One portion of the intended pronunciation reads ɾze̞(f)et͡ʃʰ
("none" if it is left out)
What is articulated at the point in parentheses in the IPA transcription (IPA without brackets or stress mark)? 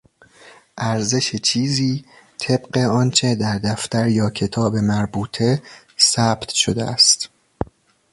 ʃ